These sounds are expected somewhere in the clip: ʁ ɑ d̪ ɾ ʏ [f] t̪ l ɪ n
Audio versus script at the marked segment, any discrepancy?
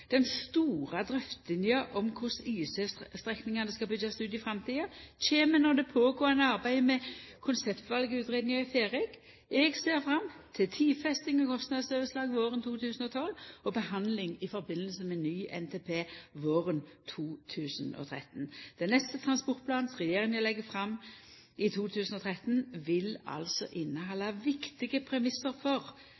no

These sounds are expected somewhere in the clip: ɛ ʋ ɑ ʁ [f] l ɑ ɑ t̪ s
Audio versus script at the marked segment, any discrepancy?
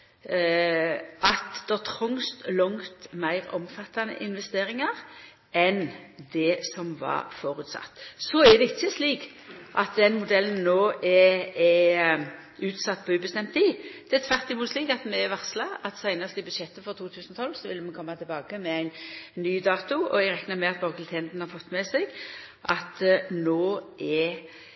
yes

